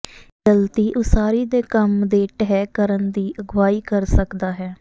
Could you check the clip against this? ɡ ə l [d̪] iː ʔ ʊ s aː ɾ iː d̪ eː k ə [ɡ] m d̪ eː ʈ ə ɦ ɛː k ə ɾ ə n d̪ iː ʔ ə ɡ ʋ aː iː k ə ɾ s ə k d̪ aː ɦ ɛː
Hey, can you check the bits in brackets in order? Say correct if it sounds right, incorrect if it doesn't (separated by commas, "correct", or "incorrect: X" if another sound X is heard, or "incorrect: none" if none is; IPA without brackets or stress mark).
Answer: incorrect: t̪, incorrect: none